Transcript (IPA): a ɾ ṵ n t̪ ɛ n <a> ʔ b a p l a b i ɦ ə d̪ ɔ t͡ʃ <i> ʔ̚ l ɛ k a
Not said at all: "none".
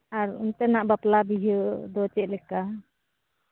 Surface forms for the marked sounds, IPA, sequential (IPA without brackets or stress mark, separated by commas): a, ɛ